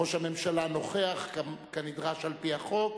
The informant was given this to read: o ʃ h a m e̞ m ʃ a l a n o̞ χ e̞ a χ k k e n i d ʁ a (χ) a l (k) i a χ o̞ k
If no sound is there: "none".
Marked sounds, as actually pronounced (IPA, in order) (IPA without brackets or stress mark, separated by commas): ʃ, p